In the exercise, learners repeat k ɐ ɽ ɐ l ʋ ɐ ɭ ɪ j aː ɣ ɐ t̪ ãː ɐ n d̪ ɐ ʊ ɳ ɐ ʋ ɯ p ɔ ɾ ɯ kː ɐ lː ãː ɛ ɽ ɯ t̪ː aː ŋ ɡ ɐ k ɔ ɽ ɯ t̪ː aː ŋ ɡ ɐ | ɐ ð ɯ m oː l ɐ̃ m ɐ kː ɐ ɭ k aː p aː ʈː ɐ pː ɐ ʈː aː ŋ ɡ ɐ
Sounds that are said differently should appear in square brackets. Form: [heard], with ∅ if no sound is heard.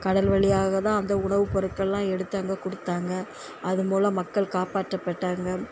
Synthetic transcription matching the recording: k ɐ ɽ ɐ l ʋ ɐ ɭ ɪ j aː ɣ ɐ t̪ ãː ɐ n d̪ ɐ ʊ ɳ ɐ ʋ ɯ p ɔ ɾ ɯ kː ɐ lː ãː ɛ ɽ ɯ t̪ː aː ŋ ɡ ɐ k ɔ ɽ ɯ t̪ː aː ŋ ɡ ɐ | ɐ ð ɯ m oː l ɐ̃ m ɐ kː ɐ ɭ k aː p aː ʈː ɐ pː ɐ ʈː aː ŋ ɡ ɐ